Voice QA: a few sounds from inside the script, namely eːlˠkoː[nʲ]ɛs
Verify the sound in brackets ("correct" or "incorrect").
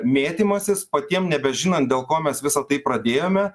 incorrect